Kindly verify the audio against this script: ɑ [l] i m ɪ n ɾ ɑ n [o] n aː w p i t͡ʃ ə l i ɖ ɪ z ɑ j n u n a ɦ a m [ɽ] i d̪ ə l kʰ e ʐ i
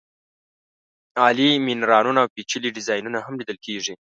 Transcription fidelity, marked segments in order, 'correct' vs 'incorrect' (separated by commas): correct, incorrect, incorrect